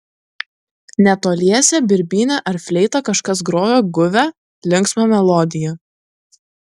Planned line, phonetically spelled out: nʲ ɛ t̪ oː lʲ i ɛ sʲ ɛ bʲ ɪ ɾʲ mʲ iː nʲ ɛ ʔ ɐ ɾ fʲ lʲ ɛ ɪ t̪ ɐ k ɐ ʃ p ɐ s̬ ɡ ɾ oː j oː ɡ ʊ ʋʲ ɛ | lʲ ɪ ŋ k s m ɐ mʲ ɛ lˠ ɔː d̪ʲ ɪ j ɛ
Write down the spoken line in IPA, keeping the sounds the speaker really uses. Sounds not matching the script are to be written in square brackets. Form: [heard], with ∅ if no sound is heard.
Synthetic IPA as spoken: nʲ ɛ t̪ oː lʲ i ɛ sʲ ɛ bʲ ɪ ɾʲ [bʲ] iː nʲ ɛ ʔ ɐ ɾ fʲ lʲ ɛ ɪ t̪ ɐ k ɐ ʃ [k] ɐ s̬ ɡ ɾ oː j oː ɡ ʊ ʋʲ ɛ | lʲ ɪ ŋ k s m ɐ mʲ ɛ lˠ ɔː d̪ʲ ɪ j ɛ

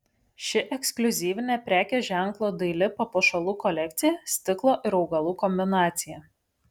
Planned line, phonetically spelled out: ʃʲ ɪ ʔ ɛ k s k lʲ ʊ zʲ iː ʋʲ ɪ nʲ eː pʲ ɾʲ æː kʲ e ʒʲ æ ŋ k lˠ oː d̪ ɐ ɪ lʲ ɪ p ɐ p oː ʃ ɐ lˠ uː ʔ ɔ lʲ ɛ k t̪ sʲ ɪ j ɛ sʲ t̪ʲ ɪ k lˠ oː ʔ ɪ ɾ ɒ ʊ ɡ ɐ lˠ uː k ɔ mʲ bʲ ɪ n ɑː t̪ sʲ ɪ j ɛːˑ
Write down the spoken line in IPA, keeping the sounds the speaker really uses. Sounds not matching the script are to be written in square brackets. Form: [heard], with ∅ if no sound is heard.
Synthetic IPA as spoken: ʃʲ ɪ ʔ ɛ k s k lʲ ʊ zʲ iː ʋʲ ɪ nʲ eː pʲ ɾʲ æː kʲ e ʒʲ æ ŋ k lˠ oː d̪ ɐ ɪ lʲ ɪ p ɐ p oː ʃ ɐ lˠ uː [k] ɔ lʲ ɛ k t̪ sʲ ɪ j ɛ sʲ t̪ʲ ɪ k lˠ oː ʔ ɪ ɾ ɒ ʊ ɡ ɐ lˠ uː k ɔ mʲ bʲ ɪ n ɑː t̪ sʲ ɪ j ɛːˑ

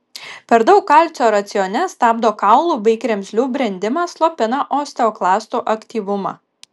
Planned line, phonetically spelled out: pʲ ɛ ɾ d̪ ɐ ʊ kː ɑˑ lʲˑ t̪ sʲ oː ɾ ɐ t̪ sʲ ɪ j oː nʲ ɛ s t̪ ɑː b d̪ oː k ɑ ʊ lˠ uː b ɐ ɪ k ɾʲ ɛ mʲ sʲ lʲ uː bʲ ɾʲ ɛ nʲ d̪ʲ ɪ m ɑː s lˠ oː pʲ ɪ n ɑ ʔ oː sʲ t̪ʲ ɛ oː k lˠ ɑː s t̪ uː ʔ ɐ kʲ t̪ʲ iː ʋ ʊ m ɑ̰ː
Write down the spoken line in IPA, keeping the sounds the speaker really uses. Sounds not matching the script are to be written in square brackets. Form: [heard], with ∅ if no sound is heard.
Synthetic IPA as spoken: pʲ ɛ ɾ d̪ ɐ ʊ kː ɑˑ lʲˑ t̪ sʲ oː ɾ ɐ t̪ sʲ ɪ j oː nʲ ɛ s t̪ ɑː b d̪ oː k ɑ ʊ lˠ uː b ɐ ɪ k ɾʲ ɛ mʲ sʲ lʲ uː bʲ ɾʲ ɛ nʲ d̪ʲ ɪ m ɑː s lˠ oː pʲ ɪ n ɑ ʔ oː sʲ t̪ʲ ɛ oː k lˠ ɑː s t̪ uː ʔ ɐ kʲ t̪ʲ iː ʋ ʊ m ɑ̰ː

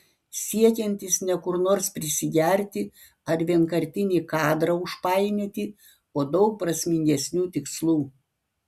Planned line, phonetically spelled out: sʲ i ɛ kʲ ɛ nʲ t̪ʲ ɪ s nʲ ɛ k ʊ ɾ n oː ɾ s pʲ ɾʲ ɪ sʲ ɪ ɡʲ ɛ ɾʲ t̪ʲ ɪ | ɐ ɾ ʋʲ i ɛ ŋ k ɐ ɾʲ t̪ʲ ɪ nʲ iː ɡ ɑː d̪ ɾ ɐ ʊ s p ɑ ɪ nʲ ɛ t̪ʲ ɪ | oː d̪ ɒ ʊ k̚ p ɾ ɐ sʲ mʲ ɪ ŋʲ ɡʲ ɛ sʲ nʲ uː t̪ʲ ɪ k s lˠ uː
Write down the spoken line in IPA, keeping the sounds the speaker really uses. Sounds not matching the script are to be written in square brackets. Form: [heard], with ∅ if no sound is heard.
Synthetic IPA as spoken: sʲ i ɛ kʲ ɛ nʲ t̪ʲ ɪ s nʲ ɛ k ʊ ɾ n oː ɾ s pʲ ɾʲ ɪ sʲ ɪ ɡʲ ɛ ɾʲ t̪ʲ ɪ | ɐ ɾ ʋʲ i ɛ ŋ k ɐ ɾʲ t̪ʲ ɪ nʲ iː [k] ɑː d̪ ɾ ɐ ʊ [ʃ] p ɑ ɪ nʲ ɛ t̪ʲ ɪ | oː d̪ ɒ ʊ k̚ p ɾ ɐ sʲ mʲ ɪ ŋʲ ɡʲ ɛ sʲ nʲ uː t̪ʲ ɪ k s lˠ uː

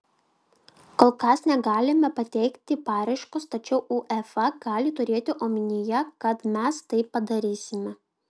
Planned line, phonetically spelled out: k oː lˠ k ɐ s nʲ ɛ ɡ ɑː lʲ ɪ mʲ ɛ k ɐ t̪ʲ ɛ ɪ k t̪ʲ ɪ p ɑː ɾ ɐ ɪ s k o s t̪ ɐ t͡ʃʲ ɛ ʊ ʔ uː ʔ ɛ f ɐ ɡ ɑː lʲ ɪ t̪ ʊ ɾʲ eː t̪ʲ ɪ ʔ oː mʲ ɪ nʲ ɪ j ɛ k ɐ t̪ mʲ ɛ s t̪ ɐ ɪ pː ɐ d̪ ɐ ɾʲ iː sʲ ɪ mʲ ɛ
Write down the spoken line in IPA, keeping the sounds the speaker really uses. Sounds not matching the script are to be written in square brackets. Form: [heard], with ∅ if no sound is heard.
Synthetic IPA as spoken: k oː lˠ k ɐ s nʲ ɛ ɡ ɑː lʲ ɪ mʲ ɛ [p] ɐ t̪ʲ ɛ ɪ k t̪ʲ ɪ p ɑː ɾ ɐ ɪ [ʃ] k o s t̪ ɐ t͡ʃʲ ɛ ʊ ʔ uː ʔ ɛ f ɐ ɡ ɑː lʲ ɪ t̪ ʊ ɾʲ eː t̪ʲ ɪ ʔ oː mʲ ɪ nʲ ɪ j ɛ k ɐ t̪ mʲ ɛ s t̪ ɐ ɪ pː ɐ d̪ ɐ ɾʲ iː sʲ ɪ mʲ ɛ

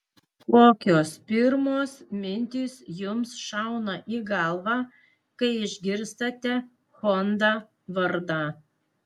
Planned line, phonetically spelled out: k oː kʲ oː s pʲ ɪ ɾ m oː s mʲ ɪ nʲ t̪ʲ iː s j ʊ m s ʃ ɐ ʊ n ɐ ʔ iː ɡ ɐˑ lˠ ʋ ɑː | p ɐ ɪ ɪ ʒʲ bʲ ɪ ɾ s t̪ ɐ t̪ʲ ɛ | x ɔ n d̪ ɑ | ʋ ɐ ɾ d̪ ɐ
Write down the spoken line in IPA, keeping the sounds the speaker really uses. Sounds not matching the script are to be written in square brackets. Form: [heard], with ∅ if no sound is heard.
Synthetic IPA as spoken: k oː kʲ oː s pʲ ɪ ɾ m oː s mʲ ɪ nʲ t̪ʲ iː s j ʊ m s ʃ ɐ ʊ n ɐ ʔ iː ɡ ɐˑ lˠ ʋ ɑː | [k] ɐ ɪ ɪ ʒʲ [ɡʲ] ɪ ɾ s t̪ ɐ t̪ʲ ɛ | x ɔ n d̪ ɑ | ʋ ɐ ɾ d̪ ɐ

